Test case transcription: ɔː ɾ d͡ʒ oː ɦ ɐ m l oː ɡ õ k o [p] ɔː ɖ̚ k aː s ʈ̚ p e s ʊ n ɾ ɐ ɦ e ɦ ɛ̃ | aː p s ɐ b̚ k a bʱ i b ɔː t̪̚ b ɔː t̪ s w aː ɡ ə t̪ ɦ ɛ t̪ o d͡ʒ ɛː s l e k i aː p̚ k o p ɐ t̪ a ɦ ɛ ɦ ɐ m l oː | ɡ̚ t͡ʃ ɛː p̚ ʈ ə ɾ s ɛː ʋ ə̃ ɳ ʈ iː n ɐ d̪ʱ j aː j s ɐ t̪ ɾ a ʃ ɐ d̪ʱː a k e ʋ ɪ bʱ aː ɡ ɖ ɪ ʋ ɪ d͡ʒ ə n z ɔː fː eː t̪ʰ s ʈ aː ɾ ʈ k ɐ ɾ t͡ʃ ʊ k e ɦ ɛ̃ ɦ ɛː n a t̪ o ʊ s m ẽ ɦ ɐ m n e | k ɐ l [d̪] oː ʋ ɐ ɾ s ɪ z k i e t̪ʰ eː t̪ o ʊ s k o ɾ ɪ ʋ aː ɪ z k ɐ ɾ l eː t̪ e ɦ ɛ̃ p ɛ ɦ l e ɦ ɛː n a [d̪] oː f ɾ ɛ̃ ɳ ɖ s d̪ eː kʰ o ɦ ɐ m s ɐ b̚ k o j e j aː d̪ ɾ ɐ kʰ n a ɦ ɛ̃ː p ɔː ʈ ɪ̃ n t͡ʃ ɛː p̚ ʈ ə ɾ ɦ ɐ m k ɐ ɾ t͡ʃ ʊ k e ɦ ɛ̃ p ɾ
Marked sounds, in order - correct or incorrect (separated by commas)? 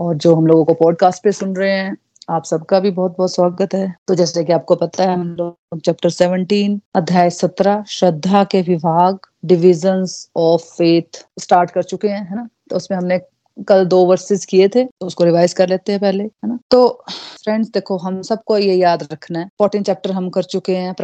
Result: correct, correct, incorrect